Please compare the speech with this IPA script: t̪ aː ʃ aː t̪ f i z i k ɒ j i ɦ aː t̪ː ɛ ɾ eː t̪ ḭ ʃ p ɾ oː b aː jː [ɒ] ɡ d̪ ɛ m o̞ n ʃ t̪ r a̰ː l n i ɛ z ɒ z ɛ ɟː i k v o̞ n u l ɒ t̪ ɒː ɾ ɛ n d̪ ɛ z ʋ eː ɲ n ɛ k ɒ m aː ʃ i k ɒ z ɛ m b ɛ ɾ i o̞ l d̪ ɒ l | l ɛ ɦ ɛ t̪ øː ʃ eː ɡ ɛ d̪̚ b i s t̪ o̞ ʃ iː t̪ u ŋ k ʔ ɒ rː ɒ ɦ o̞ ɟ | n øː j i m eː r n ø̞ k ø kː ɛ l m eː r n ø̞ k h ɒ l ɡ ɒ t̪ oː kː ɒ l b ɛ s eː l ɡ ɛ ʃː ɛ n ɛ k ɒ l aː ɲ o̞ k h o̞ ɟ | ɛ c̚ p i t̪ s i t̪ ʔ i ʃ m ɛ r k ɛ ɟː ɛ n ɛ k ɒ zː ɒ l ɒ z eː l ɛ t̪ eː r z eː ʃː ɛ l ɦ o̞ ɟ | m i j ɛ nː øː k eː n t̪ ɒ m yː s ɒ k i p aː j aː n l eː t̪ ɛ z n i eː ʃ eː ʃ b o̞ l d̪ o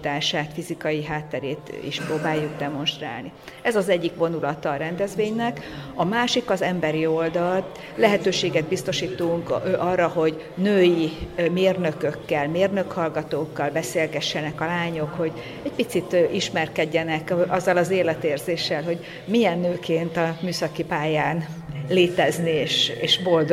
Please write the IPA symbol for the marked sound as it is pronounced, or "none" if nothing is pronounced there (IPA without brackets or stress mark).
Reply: u